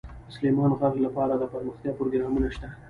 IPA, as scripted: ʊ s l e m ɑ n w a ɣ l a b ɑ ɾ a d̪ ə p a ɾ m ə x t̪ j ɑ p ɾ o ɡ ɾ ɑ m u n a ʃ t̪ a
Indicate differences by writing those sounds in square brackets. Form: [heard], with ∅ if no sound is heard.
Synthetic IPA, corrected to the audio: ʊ s l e m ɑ n [ɣ] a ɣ l a [p] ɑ ɾ a d̪ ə p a ɾ m ə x t̪ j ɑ p ɾ o ɡ ɾ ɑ m u n a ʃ t̪ a